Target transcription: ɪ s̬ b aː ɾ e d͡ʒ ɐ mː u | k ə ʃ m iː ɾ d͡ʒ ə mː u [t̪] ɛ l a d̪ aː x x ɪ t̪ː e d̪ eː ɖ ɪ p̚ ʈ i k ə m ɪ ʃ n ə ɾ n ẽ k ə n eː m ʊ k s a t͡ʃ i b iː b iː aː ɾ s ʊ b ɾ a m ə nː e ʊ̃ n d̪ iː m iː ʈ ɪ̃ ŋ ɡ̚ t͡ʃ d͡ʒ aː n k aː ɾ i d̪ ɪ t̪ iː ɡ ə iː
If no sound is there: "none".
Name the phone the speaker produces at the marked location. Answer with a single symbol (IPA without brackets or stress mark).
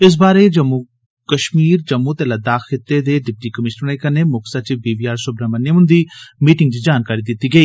t̪